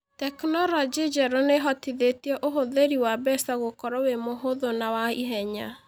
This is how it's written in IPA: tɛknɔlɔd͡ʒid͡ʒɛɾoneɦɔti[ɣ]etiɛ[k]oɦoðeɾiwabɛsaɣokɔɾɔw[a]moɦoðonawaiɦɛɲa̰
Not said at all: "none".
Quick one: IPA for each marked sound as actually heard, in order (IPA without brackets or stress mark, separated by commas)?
ð, ʔ, e